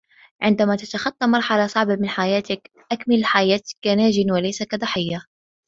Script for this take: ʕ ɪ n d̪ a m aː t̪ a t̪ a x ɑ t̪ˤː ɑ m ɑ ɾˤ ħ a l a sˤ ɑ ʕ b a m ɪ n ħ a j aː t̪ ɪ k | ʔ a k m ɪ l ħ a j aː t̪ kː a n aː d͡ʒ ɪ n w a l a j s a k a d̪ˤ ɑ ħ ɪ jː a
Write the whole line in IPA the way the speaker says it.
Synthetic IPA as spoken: ʕ ɪ n d̪ a m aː t̪ a t̪ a x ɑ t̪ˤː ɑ m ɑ ɾˤ ħ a l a sˤ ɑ ʕ b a m ɪ n ħ a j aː t̪ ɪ k | ʔ a k m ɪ l ħ a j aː t̪ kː a n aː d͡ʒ ɪ n w a l a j s a k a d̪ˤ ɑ ħ ɪ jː a